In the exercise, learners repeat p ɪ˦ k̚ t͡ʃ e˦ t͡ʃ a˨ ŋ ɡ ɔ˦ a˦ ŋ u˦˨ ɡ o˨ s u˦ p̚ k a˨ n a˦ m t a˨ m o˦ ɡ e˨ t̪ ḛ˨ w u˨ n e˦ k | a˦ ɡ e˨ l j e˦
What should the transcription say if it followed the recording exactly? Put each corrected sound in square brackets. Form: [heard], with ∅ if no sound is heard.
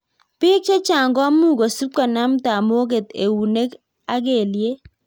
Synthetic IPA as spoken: p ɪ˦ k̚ t͡ʃ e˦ t͡ʃ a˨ ŋ ɡ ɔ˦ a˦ [m] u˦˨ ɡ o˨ s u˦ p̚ k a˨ n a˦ m t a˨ m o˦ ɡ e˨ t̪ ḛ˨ w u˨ n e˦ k | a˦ ɡ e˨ l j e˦